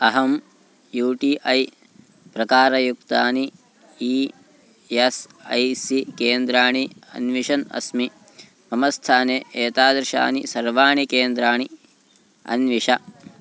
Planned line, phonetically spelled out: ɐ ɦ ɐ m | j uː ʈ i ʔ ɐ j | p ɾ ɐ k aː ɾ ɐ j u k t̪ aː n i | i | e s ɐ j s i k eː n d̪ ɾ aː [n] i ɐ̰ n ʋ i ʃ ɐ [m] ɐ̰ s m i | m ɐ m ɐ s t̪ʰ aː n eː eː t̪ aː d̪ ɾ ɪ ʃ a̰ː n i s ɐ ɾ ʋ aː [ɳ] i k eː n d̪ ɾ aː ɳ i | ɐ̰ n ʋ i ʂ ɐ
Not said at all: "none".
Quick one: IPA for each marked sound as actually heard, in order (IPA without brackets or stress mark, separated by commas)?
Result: ɳ, n, ɳ